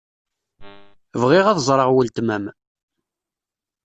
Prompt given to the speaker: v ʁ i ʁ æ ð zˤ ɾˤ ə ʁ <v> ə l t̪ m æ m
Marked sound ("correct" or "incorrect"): incorrect